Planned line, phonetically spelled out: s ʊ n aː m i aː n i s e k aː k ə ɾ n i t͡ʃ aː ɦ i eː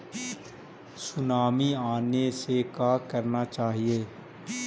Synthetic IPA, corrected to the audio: s ʊ n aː m i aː n e s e k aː k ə ɾ n a t͡ʃ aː ɦ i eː